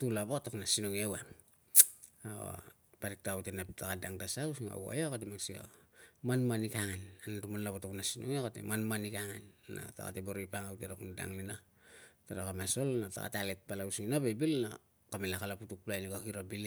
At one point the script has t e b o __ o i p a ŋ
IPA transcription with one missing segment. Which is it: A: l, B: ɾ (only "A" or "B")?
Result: B